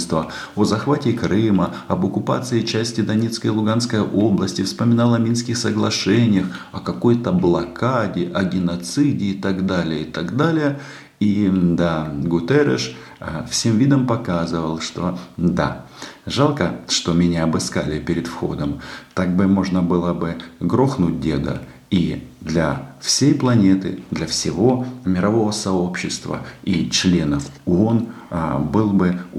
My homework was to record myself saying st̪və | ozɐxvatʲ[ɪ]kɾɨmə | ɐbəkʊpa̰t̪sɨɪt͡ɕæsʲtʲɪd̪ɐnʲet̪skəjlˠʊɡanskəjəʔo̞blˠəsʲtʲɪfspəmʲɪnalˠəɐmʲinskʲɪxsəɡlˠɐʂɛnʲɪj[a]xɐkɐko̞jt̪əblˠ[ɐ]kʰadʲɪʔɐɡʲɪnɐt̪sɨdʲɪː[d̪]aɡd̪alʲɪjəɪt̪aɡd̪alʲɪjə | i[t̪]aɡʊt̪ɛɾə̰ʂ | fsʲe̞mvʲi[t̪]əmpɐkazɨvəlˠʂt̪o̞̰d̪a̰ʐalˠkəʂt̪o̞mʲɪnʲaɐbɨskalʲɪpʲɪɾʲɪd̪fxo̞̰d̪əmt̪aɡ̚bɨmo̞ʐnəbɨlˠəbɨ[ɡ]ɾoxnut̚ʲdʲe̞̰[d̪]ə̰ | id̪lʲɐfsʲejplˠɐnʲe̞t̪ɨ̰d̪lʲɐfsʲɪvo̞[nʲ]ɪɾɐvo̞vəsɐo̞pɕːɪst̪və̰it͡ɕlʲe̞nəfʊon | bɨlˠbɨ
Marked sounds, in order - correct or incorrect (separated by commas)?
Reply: correct, incorrect, correct, incorrect, incorrect, incorrect, correct, correct, incorrect